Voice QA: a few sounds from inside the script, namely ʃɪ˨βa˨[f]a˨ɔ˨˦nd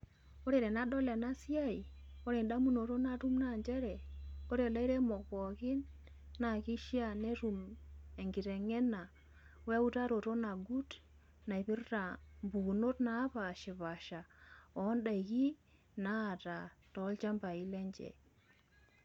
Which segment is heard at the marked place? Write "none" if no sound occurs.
ʃ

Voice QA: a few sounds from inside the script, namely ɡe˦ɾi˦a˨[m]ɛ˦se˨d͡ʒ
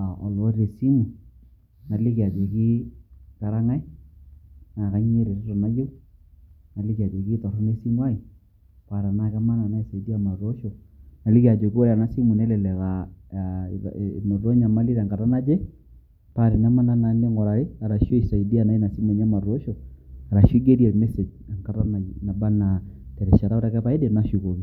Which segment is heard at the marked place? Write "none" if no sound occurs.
m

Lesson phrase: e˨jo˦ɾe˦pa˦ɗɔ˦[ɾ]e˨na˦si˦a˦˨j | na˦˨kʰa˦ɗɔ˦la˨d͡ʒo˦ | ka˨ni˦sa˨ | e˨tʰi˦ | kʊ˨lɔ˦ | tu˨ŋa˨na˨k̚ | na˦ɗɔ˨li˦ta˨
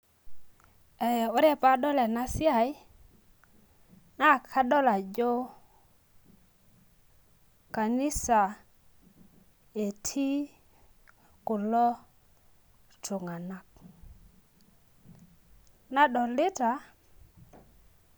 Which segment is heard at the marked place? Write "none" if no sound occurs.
l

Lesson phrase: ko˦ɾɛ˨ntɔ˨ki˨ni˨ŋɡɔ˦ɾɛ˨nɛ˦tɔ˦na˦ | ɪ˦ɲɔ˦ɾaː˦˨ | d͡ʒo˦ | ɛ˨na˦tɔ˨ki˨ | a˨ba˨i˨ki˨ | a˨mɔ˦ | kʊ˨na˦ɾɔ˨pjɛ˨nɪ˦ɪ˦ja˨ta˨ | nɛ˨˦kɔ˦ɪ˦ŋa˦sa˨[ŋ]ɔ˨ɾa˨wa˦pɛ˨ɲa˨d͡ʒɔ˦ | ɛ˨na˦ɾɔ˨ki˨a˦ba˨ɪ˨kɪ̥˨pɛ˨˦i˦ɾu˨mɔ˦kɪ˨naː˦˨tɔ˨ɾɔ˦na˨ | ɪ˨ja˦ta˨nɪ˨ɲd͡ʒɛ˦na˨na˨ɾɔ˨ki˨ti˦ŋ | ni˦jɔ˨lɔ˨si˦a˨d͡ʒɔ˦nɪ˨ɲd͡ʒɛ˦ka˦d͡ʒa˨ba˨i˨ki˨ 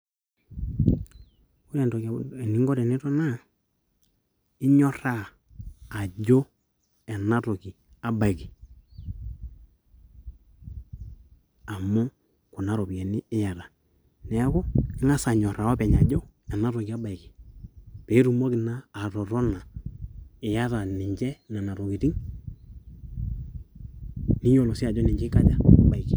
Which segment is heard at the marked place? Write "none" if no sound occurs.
ɲ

